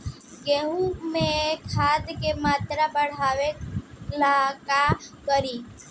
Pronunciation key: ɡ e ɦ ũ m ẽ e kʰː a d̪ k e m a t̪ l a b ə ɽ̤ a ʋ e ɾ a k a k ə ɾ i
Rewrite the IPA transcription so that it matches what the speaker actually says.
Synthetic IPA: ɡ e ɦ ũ m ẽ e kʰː a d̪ k e m a t̪ ɾ a b ə ɽ̤ a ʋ e l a k a k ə ɾ i